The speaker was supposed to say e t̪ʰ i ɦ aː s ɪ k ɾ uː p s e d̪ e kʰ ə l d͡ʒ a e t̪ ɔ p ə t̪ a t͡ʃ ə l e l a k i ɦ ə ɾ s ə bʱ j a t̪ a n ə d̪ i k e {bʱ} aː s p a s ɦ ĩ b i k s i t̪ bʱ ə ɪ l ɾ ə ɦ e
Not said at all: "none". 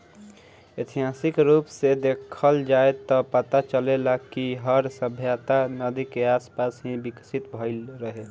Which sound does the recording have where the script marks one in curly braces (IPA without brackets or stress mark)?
none